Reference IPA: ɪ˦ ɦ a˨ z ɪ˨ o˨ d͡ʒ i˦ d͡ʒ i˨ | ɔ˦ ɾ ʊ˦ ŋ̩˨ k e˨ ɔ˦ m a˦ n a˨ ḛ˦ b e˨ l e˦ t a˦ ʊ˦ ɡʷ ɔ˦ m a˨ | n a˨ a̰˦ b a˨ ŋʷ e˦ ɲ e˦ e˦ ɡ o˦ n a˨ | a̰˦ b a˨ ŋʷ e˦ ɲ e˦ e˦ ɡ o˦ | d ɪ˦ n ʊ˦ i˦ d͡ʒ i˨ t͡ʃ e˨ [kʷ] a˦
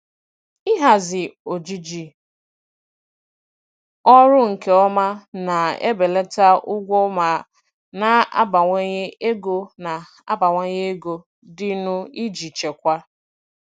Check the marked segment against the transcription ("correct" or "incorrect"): correct